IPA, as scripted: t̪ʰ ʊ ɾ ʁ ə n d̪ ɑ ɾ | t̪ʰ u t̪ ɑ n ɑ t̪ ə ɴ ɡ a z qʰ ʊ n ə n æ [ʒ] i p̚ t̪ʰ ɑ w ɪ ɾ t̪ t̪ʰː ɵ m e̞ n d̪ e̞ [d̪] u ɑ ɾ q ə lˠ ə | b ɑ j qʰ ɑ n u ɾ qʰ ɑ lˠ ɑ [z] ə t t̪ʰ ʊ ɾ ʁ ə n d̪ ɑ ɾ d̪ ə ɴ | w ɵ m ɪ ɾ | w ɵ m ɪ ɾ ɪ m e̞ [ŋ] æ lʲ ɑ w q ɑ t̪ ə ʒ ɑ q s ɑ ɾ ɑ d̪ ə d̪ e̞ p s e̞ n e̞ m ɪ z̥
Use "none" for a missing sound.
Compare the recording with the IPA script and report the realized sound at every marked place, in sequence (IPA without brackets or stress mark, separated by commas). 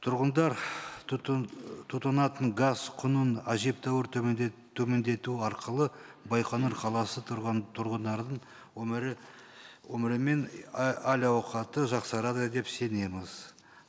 ʒ, t̪, s, n